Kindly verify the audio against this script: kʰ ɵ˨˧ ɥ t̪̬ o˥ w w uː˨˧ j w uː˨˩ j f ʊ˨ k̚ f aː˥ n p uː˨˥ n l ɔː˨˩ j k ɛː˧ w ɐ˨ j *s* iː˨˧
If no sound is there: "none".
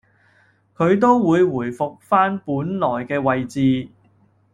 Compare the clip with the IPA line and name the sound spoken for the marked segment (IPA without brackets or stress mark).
t͡s